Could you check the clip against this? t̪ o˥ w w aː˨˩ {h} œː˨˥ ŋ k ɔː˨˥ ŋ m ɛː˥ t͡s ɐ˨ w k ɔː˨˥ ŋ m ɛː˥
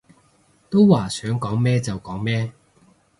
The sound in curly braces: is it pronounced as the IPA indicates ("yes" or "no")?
no